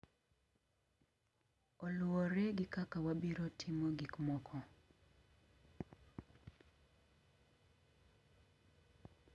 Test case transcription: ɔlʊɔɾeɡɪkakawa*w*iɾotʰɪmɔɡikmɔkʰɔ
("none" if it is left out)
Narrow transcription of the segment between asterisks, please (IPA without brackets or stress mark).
b